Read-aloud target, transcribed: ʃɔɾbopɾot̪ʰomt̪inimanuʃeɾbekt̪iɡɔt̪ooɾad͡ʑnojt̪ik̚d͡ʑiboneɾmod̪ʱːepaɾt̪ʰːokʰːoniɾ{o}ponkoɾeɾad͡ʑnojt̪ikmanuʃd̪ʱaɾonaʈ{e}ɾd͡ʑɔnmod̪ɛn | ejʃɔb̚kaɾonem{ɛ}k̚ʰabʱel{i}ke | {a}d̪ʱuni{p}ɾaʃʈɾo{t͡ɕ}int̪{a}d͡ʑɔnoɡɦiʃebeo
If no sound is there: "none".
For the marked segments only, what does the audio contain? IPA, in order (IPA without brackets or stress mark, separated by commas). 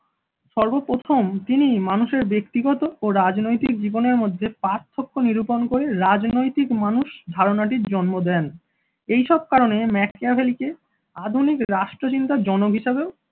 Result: u, i, ɛ, i, a, k, t͡ɕ, a